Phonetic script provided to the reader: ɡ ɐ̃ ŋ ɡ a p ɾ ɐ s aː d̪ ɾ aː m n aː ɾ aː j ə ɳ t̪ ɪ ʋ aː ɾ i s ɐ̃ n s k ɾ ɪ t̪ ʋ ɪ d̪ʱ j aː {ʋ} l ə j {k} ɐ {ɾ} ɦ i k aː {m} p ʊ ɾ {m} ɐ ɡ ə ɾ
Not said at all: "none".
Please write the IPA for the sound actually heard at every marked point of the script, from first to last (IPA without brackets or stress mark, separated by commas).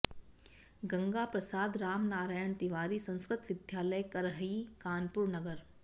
none, k, ɾ, n, n